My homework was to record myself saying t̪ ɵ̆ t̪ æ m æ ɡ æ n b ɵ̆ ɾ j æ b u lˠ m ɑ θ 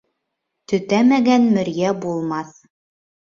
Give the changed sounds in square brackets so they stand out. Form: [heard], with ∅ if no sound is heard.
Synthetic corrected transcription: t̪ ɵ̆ t̪ æ m æ ɡ æ n [m] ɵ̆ ɾ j æ b u lˠ m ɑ θ